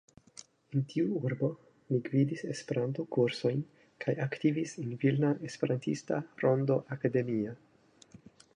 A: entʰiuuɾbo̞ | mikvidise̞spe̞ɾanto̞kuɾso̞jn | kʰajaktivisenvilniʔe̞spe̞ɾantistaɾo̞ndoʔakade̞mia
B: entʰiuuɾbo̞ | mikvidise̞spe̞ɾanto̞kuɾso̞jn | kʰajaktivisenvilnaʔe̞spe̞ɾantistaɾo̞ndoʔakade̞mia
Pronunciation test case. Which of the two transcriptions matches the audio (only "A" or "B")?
B